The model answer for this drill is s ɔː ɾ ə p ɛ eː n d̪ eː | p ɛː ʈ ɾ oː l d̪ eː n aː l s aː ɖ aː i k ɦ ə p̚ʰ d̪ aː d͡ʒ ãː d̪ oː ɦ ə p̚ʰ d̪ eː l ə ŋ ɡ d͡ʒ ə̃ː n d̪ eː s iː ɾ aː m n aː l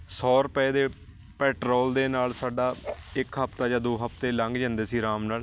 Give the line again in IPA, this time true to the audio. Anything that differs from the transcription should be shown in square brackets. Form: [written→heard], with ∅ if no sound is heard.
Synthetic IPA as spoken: s ɔː ɾ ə p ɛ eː [n→∅] d̪ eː | p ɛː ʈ ɾ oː l d̪ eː n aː l s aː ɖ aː [i→ɪ] k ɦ ə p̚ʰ [d̪→t̪] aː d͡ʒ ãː d̪ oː ɦ ə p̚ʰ [d̪→t̪] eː l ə ŋ ɡ d͡ʒ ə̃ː n d̪ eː s iː ɾ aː m n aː l